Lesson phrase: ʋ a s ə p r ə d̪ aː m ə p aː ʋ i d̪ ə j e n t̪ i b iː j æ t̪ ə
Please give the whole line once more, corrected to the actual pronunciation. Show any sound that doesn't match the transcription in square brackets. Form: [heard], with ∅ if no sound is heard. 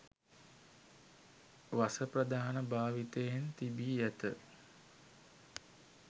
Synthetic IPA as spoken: ʋ a s ə p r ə d̪ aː [n] ə [b] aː ʋ i [t̪] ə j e n t̪ i b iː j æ t̪ ə